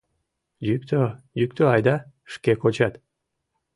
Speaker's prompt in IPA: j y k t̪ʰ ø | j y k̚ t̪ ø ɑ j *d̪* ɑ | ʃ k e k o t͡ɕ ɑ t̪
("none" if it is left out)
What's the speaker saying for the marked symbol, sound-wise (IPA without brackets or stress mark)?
d̪